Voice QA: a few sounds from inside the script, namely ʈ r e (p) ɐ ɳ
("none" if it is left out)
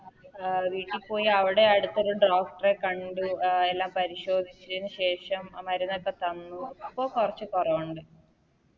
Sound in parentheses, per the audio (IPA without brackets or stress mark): k